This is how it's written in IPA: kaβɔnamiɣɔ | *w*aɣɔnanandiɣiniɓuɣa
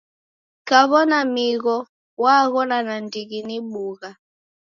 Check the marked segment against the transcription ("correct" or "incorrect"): correct